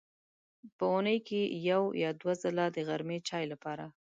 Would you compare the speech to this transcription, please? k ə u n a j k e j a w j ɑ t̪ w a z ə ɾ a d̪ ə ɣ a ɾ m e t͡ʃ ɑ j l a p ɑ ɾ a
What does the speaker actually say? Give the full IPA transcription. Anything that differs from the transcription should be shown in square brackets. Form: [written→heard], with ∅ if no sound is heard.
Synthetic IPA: [k→p] ə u n [a→ə] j k e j a w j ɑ [t̪→d̪] w a z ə [ɾ→l] a d̪ ə ɣ a ɾ m e t͡ʃ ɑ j l a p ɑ ɾ a